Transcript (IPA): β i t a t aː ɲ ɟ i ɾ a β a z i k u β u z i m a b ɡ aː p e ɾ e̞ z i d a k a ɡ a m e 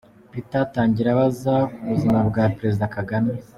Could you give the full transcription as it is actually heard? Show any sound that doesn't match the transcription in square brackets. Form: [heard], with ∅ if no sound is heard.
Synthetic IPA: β i t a t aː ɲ ɟ i ɾ a β a z [a] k u β u z i m a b ɡ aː p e ɾ e̞ z i d a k a ɡ a m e